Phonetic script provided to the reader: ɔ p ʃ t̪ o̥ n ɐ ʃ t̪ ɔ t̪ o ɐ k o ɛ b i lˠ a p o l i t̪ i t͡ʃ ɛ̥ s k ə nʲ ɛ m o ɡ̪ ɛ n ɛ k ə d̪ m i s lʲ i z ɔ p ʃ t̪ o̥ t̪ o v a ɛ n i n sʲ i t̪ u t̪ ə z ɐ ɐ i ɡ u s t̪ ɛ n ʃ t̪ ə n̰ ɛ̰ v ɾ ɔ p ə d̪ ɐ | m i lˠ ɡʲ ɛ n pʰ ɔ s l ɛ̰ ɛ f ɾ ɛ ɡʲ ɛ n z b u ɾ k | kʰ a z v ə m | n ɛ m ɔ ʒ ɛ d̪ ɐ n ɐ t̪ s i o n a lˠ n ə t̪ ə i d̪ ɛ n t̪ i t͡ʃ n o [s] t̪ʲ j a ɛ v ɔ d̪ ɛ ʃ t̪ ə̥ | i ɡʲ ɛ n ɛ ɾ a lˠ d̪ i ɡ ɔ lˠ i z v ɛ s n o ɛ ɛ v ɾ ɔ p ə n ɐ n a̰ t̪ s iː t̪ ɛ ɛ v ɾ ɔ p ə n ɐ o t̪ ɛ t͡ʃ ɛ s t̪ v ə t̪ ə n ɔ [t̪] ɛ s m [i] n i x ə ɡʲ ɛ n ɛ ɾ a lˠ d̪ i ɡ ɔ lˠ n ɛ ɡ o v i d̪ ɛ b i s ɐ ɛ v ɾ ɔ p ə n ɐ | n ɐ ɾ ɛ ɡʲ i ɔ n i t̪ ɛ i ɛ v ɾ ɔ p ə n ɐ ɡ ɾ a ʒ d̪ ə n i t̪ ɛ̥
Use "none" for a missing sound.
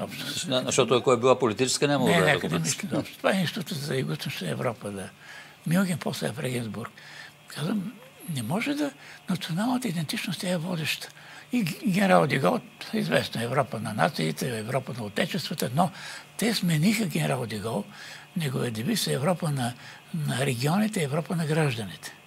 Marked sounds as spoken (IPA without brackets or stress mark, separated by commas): s, t̪, ɛ